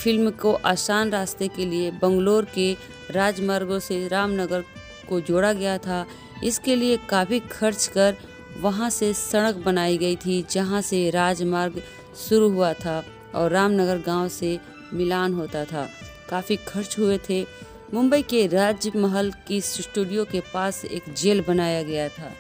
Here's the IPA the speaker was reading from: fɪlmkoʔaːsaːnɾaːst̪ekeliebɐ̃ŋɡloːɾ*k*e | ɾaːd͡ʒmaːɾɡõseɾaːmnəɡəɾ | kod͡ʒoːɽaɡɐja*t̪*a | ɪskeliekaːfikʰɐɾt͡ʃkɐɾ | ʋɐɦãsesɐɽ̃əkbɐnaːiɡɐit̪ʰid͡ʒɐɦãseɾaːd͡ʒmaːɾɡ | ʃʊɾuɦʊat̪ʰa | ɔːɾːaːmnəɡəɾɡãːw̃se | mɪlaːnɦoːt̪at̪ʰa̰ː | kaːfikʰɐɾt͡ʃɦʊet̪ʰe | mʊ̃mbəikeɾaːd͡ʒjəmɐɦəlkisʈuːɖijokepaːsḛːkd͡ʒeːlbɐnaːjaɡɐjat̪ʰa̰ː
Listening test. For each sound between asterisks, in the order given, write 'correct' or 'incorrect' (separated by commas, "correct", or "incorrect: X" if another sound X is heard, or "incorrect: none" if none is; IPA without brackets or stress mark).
correct, incorrect: t̪ʰ